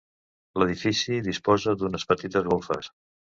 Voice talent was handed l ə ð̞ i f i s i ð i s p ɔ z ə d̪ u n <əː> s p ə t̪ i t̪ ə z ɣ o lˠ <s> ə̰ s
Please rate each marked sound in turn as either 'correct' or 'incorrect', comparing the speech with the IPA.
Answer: incorrect, incorrect

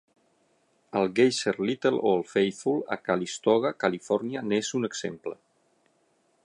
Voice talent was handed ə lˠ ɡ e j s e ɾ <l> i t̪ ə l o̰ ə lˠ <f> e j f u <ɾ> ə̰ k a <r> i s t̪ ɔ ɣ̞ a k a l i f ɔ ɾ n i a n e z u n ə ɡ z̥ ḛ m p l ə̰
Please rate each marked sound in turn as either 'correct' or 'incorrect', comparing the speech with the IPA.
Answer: correct, correct, incorrect, incorrect

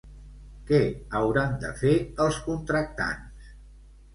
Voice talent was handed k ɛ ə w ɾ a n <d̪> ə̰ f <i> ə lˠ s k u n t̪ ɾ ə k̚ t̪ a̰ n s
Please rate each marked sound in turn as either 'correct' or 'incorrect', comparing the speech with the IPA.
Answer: correct, incorrect

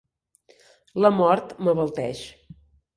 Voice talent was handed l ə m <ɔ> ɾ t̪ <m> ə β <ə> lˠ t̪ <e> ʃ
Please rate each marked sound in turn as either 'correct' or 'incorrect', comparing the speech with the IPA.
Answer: correct, correct, correct, incorrect

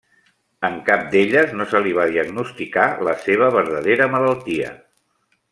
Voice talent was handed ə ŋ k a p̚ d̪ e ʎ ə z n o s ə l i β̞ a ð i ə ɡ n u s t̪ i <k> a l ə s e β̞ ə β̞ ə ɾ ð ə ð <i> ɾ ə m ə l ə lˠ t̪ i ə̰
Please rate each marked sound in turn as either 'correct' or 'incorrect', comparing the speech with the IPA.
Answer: correct, incorrect

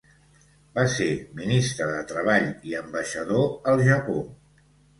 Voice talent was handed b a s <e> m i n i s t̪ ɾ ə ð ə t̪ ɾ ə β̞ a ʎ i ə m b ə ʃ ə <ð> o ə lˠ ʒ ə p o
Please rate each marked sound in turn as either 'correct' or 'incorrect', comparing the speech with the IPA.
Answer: correct, correct

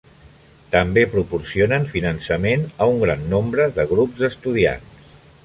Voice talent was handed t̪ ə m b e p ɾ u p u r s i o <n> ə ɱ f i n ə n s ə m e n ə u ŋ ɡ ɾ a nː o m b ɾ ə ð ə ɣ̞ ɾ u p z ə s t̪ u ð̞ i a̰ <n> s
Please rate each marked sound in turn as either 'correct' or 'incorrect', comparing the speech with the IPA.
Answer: correct, correct

